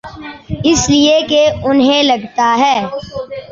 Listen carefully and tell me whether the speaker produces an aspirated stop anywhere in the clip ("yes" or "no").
no